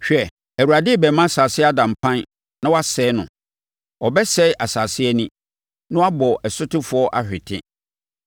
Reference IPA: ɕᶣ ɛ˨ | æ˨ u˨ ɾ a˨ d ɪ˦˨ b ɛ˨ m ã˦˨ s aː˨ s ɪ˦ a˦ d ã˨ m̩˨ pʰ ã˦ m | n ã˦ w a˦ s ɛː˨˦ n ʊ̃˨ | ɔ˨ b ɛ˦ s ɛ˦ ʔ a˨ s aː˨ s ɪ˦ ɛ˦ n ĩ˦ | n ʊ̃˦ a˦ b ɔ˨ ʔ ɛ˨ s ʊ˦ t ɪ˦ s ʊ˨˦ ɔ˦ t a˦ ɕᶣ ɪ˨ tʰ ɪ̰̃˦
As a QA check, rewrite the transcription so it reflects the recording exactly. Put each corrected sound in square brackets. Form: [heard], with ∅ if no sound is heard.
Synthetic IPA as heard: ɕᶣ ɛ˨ | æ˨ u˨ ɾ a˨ d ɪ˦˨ b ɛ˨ m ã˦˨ s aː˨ s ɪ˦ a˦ d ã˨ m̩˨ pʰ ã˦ [n] | n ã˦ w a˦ s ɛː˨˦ n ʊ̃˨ | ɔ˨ b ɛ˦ s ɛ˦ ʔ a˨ s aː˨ s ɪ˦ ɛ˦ n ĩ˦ | n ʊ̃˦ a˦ b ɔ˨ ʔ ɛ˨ s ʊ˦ t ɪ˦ [f] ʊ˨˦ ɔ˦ [ʔ] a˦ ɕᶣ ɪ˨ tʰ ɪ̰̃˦